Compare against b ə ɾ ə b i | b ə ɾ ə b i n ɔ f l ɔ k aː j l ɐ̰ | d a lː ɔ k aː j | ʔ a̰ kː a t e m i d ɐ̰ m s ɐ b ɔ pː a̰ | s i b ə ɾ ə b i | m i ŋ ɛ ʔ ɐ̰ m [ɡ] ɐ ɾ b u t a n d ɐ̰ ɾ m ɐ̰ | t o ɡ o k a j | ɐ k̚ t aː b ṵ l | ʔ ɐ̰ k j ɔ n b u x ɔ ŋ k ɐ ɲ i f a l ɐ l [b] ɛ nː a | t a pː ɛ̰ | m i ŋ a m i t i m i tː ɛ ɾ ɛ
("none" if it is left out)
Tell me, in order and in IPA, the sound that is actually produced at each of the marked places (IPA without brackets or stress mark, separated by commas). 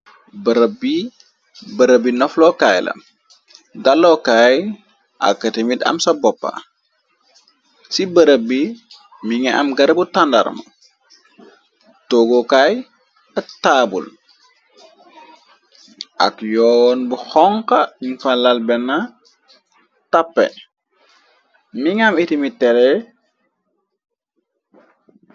ɡ, b